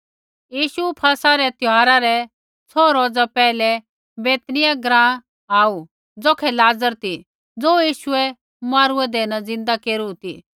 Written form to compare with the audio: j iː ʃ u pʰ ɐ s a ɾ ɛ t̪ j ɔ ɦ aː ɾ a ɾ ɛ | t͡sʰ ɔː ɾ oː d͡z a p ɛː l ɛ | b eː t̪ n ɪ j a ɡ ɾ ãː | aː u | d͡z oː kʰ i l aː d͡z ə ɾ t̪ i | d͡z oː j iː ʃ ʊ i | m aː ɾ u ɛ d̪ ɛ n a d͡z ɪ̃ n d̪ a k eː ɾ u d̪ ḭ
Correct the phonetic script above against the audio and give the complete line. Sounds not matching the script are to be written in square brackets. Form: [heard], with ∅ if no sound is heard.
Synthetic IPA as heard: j iː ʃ u pʰ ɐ s a ɾ ɛ t̪ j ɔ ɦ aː ɾ a ɾ ɛ | t͡sʰ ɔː ɾ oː d͡z a p ɛː l ɛ | b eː t̪ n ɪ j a ɡ ɾ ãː | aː u | d͡z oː kʰ [ɛ] l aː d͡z ə ɾ t̪ i | d͡z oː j iː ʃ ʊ [ɛ] | m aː ɾ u ɛ d̪ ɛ n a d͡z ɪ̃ n d̪ a k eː ɾ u [t̪] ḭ